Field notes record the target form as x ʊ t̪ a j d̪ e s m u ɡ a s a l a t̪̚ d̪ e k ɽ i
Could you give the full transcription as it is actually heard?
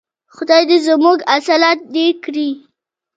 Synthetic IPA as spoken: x ʊ d̪ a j d̪ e z m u ɡ a s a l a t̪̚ d̪ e k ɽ i